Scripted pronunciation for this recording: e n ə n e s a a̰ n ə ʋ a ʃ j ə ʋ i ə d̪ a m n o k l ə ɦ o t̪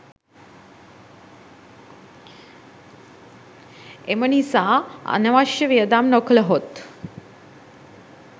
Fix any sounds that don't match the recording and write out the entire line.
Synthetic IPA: e m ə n i s a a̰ n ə ʋ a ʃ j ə ʋ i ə d̪ a m n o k l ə ɦ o t̪